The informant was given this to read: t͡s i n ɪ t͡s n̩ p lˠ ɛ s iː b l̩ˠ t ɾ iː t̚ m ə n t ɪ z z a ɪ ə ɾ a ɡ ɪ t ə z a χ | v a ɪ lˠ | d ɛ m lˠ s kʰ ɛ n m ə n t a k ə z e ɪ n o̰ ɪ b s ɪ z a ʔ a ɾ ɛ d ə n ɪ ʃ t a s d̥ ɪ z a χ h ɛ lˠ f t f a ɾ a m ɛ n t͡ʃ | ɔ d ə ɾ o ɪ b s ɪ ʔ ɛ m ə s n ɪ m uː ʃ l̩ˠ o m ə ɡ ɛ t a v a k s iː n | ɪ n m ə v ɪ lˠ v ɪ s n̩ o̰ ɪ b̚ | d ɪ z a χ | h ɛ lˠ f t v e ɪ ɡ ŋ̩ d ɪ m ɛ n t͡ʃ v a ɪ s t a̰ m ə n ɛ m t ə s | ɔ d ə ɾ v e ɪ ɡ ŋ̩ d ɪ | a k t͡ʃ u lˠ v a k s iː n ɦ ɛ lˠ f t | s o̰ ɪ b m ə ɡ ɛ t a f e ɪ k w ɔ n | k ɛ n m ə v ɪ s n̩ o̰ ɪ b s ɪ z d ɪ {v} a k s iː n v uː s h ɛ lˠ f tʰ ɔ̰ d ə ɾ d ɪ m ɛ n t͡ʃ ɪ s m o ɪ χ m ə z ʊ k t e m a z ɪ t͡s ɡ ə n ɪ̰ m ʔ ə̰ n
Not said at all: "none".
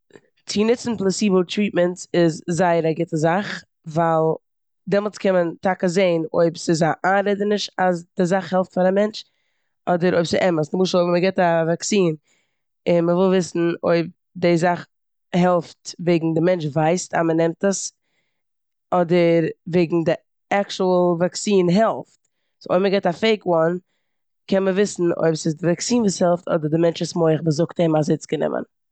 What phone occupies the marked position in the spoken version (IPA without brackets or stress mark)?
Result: v